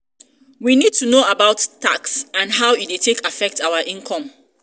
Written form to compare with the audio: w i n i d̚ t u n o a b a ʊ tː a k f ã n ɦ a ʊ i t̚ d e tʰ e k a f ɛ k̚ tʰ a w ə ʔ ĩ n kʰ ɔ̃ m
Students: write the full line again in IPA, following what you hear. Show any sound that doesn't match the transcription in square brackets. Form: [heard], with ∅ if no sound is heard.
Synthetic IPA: w i n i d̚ t u n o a b a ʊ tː a k [s] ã n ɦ a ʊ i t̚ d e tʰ e k a f ɛ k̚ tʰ a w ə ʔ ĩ n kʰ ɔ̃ m